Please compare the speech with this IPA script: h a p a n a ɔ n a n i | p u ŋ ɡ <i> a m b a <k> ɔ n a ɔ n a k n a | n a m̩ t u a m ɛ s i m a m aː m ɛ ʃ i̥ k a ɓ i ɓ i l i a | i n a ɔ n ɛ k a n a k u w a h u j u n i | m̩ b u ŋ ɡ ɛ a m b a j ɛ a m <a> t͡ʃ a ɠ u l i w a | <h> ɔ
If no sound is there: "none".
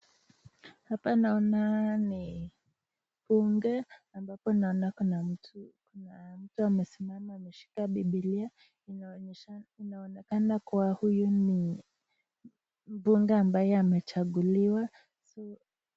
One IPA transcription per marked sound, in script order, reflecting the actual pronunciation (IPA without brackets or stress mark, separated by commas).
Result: ɛ, p, ɛ, s